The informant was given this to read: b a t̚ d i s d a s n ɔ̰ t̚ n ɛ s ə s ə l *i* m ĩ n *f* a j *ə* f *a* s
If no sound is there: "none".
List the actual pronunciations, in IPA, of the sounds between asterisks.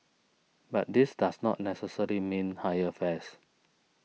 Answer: i, h, ə, ɛ

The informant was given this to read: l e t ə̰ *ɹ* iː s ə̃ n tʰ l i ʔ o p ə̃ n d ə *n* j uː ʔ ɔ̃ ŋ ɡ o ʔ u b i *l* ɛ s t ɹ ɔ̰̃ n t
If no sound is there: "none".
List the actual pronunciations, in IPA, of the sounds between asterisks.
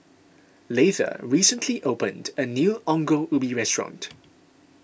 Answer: ɹ, n, ɹ

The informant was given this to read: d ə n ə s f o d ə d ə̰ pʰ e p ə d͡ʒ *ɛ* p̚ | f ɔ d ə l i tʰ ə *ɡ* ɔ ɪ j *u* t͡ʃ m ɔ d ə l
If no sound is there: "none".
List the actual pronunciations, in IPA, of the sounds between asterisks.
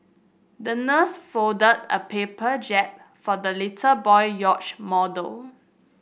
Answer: ɛ, b, ɔ

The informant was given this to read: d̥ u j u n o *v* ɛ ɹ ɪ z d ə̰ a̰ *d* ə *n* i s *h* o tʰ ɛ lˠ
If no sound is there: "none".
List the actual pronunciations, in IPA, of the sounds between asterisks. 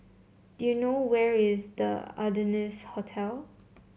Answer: w, d, n, h

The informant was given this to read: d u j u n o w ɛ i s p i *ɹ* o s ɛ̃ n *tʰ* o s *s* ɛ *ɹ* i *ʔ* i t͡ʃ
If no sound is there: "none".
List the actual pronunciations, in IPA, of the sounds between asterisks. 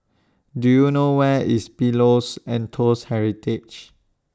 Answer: l, tʰ, h, ɹ, t

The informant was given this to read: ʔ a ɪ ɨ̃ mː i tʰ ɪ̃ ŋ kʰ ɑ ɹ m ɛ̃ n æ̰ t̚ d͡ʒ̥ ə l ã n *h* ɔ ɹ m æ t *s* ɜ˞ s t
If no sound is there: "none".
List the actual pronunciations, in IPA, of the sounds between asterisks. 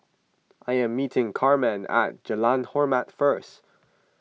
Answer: h, f

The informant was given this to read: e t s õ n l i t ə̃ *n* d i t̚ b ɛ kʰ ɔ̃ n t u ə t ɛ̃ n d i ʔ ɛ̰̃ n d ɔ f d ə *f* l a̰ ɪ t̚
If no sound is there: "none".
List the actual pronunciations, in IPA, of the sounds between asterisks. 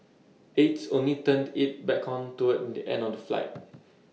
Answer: n, f

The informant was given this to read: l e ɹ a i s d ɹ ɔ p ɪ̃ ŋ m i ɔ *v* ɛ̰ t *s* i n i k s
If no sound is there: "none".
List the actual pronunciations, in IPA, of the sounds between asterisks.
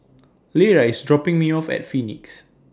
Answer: f, f

